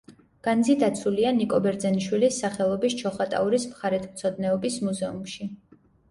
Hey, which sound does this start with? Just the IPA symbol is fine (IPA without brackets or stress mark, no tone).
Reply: ɡ̥